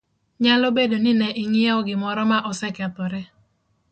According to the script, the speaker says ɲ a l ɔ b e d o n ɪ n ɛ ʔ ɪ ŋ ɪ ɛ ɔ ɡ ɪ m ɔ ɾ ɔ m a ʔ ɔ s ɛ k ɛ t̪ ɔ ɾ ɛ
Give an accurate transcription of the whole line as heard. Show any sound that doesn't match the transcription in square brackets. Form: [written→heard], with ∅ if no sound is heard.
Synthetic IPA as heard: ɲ a l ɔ b e d o n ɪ n ɛ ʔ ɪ ŋ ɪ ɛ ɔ ɡ ɪ m ɔ ɾ ɔ m a ʔ ɔ s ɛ k ɛ t̪ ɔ ɾ ɛ